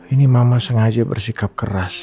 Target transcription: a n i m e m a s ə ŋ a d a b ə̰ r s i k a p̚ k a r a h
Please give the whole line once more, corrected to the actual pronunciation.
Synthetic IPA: i n i m a m a s ə ŋ a d͡ʒ a b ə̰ r s i k a p̚ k ə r a s